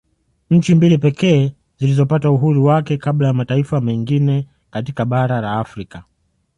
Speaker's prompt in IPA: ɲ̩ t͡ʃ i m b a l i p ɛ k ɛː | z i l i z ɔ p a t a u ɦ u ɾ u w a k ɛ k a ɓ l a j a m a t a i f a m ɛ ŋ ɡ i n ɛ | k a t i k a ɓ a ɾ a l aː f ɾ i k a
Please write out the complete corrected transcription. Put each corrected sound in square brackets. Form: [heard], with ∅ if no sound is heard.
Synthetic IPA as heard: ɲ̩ t͡ʃ i m b [i] l i p ɛ k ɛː | z i l i z ɔ p a t a u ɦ u ɾ u w a k ɛ k a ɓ l a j a m a t a i f a m ɛ ŋ ɡ i n ɛ | k a t i k a ɓ a ɾ a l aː f ɾ i k a